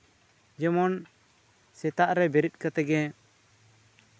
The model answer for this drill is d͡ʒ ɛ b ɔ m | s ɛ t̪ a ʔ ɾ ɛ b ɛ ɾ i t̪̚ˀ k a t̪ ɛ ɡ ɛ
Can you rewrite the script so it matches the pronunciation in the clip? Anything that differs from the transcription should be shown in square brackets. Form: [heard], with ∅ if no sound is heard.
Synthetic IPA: d͡ʒ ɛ [m] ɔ [n] | s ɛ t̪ a ʔ ɾ ɛ b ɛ ɾ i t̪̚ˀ k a t̪ ɛ ɡ ɛ